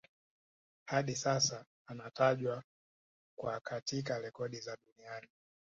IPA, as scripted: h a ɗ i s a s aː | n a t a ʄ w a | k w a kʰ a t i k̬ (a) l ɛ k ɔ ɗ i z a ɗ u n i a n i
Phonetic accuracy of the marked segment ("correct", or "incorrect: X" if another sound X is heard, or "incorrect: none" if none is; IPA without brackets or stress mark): correct